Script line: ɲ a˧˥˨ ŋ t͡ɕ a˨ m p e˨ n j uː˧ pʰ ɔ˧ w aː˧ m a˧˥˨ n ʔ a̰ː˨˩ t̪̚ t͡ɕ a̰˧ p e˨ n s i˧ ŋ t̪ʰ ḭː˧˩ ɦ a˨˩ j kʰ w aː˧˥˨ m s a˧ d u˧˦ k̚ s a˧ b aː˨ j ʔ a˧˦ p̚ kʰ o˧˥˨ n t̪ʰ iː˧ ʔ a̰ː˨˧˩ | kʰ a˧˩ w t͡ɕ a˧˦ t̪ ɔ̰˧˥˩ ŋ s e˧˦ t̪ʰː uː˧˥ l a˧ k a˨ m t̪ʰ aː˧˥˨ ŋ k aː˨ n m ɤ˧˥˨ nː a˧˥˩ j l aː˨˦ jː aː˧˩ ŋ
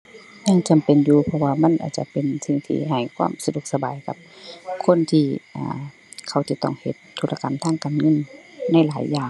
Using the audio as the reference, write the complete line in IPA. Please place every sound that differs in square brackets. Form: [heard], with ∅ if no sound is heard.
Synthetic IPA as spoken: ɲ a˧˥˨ ŋ t͡ɕ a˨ m p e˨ n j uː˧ pʰ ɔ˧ w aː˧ m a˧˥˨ n ʔ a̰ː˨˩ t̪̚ t͡ɕ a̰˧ p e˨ n s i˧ ŋ t̪ʰ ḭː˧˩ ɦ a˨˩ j kʰ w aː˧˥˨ m s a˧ d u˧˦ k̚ s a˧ b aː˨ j [k] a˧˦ p̚ kʰ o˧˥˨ n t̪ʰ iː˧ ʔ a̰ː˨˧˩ | kʰ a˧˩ w t͡ɕ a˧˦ t̪ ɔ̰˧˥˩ ŋ [h] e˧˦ t̪ʰː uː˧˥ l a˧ k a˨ m t̪ʰ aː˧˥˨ ŋ k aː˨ n [ŋ] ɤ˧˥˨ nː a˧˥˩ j l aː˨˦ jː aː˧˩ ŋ

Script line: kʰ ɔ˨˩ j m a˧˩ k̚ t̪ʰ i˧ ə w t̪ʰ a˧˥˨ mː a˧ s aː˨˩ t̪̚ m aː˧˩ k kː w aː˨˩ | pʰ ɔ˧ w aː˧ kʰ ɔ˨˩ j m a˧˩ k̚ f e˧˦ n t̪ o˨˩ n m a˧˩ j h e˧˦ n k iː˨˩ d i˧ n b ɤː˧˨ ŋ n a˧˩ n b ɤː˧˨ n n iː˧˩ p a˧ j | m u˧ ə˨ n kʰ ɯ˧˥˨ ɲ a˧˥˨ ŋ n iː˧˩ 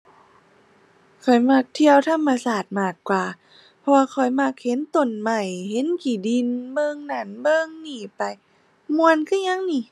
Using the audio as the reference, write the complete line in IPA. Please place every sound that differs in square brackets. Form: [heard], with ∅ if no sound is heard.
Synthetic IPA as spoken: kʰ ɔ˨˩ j m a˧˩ k̚ t̪ʰ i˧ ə w t̪ʰ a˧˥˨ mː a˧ s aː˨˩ t̪̚ m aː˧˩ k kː w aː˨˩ | pʰ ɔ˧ w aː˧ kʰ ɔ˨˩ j m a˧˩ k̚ [h] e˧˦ n t̪ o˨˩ n m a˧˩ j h e˧˦ n k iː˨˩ d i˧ n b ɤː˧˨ ŋ n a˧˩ n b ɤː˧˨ [ŋ] n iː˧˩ p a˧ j | m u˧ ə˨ n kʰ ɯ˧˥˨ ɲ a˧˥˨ ŋ n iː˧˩

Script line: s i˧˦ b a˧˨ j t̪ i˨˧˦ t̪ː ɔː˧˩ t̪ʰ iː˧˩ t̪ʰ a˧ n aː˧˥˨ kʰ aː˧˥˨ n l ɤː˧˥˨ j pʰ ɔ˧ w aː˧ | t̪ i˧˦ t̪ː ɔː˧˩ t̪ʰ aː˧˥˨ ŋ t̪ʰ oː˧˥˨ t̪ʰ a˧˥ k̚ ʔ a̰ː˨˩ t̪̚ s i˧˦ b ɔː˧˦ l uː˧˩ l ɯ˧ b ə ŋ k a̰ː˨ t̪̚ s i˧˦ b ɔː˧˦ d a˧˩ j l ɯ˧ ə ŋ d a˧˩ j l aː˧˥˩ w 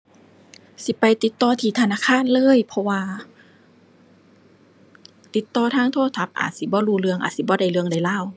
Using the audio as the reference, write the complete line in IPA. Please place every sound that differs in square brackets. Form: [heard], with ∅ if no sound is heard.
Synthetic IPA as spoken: s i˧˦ [p] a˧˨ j t̪ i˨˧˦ t̪ː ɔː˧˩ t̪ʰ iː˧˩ t̪ʰ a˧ n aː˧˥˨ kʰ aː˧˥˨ n l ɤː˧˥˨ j pʰ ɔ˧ w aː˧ | t̪ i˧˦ t̪ː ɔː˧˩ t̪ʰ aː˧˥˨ ŋ t̪ʰ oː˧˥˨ t̪ʰ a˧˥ [p̚] ʔ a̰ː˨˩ t̪̚ s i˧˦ b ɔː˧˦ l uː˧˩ l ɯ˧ [∅] ə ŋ [ʔ] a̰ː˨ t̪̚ s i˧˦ b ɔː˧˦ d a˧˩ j l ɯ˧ ə ŋ d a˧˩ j l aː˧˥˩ w

